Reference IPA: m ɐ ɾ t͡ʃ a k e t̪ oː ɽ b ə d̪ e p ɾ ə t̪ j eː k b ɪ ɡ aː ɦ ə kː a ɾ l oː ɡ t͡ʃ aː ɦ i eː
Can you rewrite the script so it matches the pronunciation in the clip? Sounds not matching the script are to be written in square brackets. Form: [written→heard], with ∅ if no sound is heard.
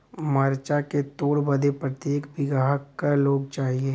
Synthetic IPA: m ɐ ɾ t͡ʃ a k e t̪ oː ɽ b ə d̪ e p ɾ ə t̪ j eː k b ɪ ɡ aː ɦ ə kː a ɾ l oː ɡ t͡ʃ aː ɦ i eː